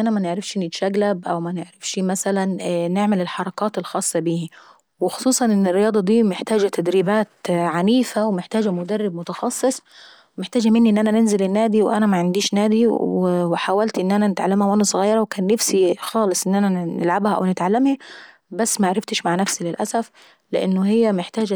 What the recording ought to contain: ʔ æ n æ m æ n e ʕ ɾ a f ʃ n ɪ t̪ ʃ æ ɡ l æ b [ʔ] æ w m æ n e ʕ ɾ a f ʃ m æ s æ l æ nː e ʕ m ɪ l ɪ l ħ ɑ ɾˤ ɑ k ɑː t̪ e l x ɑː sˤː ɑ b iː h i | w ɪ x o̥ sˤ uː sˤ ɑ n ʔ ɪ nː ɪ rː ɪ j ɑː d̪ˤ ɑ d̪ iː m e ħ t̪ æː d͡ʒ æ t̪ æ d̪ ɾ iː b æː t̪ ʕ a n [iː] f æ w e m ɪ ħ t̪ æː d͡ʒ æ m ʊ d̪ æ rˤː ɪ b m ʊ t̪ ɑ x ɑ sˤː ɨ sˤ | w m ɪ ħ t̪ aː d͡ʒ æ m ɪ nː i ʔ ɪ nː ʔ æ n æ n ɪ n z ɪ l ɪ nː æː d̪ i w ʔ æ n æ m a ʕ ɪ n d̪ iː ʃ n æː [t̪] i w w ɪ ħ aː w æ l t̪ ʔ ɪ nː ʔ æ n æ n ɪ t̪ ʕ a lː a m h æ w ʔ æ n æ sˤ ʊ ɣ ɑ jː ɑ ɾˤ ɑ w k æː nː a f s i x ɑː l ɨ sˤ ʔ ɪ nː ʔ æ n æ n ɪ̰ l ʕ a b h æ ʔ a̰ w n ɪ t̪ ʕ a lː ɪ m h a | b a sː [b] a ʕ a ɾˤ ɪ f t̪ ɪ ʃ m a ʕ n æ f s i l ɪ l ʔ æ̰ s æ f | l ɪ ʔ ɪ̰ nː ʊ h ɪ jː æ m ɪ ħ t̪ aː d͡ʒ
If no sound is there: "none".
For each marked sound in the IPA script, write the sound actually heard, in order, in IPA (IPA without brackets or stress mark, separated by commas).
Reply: ʔ, iː, d̪, m